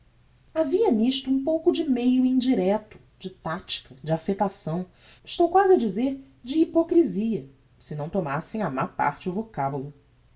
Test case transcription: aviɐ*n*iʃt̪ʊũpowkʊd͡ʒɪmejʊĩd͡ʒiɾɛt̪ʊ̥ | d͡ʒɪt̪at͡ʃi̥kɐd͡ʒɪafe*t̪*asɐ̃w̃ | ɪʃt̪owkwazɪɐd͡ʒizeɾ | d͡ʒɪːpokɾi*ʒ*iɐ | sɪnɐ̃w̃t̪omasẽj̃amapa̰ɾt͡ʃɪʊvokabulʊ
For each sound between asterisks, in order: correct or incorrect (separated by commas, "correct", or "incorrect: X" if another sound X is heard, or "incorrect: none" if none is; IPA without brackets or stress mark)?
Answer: correct, correct, incorrect: z